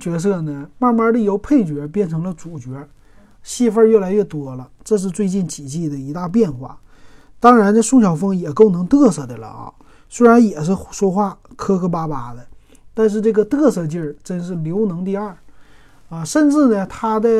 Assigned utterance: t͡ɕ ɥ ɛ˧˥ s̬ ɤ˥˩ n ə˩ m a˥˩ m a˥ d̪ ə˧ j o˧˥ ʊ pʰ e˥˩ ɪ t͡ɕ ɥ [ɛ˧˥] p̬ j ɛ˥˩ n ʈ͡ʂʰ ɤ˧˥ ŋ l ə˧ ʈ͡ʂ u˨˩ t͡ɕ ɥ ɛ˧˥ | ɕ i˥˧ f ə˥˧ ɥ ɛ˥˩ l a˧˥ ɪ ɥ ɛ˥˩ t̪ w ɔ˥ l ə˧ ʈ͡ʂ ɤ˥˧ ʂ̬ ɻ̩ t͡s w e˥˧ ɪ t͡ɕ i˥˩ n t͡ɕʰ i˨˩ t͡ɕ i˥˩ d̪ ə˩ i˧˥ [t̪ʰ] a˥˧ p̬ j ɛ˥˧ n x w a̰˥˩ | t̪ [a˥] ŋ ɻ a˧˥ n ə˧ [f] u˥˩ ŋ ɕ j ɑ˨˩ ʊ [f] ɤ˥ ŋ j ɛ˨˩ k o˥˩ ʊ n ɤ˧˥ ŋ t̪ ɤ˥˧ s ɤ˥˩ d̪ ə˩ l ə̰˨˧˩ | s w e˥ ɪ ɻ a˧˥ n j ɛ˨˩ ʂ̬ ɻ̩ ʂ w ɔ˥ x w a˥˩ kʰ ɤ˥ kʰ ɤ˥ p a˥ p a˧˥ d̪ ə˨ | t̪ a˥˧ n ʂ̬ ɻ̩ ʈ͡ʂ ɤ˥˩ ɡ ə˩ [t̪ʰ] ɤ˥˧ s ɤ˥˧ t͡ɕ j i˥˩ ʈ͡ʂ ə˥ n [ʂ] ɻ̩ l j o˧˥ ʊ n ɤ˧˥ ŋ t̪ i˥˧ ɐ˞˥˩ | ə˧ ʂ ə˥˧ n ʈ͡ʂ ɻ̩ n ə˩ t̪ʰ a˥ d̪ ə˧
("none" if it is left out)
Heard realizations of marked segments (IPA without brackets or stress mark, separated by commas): ɛ˧˥, t̪, ɑ˥, ʂ, f, t̪, ʂ